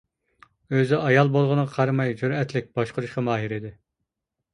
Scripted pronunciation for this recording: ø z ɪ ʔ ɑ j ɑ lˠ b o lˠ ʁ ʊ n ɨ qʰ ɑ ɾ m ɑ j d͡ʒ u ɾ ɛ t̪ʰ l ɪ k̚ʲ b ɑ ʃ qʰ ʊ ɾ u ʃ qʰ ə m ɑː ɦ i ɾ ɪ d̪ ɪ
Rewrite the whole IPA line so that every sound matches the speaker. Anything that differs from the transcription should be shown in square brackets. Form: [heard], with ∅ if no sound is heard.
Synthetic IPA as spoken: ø z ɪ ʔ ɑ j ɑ lˠ b o lˠ ʁ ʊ n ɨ qʰ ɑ ɾ m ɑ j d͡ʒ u ɾ ɛ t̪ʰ l ɪ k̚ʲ b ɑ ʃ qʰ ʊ ɾ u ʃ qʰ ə m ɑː ɦ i ɾ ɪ d̪ ɪ

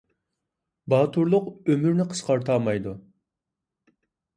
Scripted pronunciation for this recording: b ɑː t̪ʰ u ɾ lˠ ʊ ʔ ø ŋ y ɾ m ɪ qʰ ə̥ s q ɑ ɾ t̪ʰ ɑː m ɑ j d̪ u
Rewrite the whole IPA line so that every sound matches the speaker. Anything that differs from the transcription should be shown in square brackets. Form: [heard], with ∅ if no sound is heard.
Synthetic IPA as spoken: b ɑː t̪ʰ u ɾ lˠ ʊ [q] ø [m] y ɾ [n] ɪ qʰ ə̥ s q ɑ ɾ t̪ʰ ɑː m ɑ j d̪ u

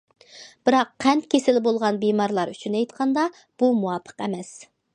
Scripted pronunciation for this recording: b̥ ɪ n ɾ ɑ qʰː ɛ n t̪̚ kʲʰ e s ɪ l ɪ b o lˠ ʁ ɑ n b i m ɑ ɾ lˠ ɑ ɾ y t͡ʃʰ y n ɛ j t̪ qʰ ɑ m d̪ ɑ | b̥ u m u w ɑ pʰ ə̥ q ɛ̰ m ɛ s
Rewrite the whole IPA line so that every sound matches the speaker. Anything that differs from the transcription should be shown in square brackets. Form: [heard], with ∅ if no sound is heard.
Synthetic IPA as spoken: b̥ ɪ [∅] ɾ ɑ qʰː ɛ n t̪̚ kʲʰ e s ɪ l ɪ b o lˠ ʁ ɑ n b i m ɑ ɾ lˠ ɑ ɾ y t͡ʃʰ y n ɛ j t̪ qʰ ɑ [n] d̪ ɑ | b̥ u m u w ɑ pʰ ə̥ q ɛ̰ m ɛ s

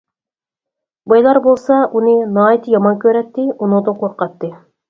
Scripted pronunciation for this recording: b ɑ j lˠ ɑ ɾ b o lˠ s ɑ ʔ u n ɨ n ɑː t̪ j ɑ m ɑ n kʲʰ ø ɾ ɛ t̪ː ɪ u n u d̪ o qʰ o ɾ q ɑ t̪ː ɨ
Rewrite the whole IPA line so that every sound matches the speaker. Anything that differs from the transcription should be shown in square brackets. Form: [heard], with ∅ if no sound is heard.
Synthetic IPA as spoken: b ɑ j lˠ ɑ ɾ b o lˠ s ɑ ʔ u n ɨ n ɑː t̪ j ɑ m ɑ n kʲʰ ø ɾ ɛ t̪ː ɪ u n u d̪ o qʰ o ɾ q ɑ t̪ː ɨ

